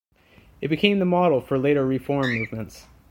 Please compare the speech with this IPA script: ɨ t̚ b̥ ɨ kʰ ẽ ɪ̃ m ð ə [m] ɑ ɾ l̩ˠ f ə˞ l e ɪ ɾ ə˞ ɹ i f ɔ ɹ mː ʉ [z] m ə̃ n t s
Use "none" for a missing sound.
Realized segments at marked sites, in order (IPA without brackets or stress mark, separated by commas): m, v